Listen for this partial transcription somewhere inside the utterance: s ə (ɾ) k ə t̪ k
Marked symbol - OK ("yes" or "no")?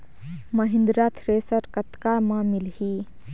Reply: yes